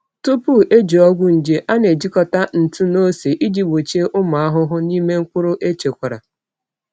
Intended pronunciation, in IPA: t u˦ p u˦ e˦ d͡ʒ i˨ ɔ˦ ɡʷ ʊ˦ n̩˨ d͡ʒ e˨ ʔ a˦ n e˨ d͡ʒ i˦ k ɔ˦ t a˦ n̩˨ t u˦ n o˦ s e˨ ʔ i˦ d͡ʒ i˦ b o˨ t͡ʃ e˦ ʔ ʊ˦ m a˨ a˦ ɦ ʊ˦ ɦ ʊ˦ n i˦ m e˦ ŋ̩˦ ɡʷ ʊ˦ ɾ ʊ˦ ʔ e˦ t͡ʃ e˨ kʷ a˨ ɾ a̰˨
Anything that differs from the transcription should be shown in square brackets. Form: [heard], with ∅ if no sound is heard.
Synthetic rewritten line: t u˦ p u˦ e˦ d͡ʒ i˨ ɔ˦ ɡʷ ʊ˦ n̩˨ d͡ʒ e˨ ʔ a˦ n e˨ d͡ʒ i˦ k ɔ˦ t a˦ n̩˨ t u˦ n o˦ s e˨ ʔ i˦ d͡ʒ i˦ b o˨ t͡ʃ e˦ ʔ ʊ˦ m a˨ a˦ ɦ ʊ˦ ɦ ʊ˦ n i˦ m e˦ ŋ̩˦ [kʷ] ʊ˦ ɾ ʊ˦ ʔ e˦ t͡ʃ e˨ kʷ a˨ ɾ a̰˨